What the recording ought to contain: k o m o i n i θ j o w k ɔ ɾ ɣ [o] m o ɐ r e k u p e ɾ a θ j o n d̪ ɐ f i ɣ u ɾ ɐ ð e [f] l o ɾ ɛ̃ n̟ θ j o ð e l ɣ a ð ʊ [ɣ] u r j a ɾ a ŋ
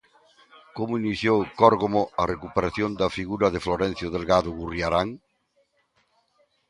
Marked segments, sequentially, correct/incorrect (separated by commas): correct, correct, correct